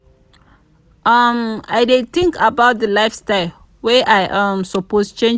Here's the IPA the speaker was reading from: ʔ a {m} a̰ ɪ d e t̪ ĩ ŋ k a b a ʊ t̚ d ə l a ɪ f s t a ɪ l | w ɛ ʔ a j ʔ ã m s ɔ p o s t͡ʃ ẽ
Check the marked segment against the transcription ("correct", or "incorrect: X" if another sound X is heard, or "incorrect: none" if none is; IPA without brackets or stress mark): correct